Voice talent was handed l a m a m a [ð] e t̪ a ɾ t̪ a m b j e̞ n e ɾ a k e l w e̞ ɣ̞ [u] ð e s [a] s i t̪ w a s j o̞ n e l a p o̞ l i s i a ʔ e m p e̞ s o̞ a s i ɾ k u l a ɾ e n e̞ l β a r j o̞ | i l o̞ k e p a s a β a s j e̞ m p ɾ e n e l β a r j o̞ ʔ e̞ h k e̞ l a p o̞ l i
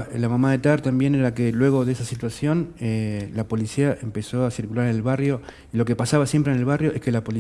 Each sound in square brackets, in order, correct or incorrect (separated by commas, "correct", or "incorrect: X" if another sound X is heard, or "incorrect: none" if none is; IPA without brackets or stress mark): correct, incorrect: o, correct